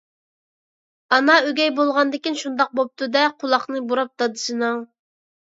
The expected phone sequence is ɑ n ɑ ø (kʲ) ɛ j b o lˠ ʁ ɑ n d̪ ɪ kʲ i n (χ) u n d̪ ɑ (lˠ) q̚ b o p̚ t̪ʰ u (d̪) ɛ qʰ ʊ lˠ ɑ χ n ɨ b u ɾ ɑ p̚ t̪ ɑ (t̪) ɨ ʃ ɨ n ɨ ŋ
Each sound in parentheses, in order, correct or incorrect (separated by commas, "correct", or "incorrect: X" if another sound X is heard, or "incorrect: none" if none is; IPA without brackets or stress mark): incorrect: ɡʲ, incorrect: ʃ, incorrect: none, correct, incorrect: d̪